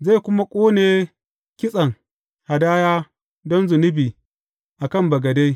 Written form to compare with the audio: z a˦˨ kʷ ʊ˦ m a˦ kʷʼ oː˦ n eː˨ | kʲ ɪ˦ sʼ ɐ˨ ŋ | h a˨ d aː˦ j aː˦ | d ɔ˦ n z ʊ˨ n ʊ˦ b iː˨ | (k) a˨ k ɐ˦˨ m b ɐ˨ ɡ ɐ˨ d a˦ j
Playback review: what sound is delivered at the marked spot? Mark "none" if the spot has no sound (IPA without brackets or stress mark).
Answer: ʔ